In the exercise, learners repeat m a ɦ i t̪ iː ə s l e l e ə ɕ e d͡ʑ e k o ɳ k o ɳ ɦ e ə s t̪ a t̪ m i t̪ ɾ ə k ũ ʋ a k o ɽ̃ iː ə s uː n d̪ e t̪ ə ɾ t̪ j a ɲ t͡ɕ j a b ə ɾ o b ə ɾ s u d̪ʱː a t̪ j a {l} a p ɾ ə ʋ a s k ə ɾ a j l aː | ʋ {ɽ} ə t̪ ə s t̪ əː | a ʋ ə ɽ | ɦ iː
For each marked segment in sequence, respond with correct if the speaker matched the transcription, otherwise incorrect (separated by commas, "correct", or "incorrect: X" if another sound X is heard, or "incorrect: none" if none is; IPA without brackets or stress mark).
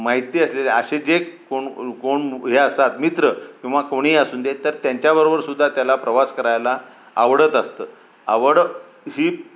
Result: correct, correct